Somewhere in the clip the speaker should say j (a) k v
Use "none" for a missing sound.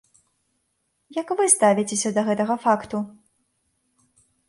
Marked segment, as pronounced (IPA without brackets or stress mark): ɐ